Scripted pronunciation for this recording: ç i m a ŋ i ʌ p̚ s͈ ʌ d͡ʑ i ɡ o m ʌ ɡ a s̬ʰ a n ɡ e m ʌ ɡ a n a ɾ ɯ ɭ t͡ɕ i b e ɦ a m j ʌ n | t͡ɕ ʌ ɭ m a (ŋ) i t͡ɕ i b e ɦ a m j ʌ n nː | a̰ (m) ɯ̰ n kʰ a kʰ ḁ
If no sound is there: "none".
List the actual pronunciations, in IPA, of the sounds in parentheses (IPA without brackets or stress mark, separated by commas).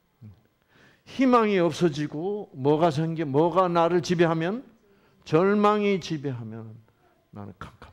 ŋ, n